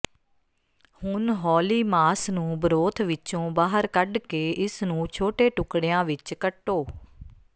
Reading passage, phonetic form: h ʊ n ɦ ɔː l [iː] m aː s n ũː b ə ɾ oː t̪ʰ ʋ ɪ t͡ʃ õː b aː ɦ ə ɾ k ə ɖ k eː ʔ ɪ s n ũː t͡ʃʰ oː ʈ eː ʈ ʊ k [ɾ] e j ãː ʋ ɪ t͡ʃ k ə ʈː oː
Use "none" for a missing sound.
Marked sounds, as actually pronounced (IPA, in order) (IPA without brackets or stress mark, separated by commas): iː, ɽ